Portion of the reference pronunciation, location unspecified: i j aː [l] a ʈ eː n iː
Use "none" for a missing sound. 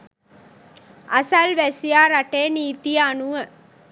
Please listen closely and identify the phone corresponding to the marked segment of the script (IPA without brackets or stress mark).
ɾ